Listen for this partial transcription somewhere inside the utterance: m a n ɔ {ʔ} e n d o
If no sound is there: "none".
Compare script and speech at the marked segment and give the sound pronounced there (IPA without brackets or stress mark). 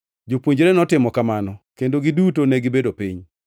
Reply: k